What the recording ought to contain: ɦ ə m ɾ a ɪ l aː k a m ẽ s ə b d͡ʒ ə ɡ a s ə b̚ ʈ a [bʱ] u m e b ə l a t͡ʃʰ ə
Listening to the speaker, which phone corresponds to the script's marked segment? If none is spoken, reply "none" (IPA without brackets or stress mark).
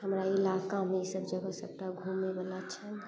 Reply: ɡʱ